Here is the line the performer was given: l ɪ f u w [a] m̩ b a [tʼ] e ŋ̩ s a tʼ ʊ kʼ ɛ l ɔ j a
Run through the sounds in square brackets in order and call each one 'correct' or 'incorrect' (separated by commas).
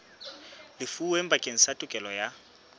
incorrect, incorrect